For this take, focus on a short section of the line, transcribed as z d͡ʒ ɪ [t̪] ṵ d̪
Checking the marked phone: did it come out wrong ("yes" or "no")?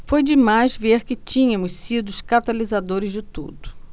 no